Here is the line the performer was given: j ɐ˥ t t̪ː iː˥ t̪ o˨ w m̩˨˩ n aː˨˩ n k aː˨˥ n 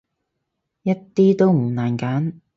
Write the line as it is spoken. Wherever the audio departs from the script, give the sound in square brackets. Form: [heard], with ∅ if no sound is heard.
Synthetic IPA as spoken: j ɐ˥ t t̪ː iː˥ t̪ [o˥] w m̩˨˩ n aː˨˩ n k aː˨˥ n